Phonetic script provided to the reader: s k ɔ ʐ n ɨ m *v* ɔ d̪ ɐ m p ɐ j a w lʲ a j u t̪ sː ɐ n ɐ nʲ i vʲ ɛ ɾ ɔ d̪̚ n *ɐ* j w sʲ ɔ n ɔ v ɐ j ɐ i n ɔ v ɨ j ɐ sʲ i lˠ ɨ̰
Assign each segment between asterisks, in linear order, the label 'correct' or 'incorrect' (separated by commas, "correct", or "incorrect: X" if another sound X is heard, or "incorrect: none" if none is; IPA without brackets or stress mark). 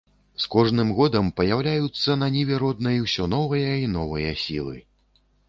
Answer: incorrect: ɣ, correct